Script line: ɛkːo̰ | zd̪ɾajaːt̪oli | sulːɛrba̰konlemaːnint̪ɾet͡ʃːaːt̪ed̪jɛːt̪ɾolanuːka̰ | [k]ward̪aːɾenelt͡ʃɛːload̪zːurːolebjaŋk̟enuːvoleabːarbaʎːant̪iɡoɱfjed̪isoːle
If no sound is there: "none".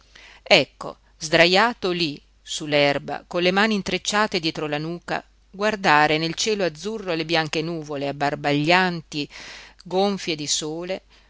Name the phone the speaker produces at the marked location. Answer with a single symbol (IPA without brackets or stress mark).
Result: ɡ